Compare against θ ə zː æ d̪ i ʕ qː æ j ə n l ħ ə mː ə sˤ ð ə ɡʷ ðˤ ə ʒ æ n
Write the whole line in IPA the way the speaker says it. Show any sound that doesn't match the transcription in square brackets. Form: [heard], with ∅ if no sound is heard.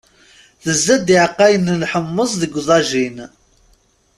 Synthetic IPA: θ ə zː æ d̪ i ʕ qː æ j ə n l ħ ə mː ə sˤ ð ə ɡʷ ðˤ [ɑ] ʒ [i] n